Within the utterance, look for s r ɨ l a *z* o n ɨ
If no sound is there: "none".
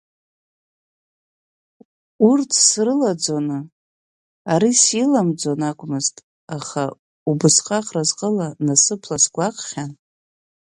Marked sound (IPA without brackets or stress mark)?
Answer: d͡z